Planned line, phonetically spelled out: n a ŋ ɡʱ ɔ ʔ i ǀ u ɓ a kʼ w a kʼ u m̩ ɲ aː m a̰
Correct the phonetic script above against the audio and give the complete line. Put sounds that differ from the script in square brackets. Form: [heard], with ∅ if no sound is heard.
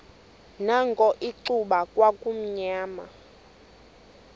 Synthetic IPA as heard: n a ŋ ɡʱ ɔ ʔ i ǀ u ɓ a kʼ w a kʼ u m̩ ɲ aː m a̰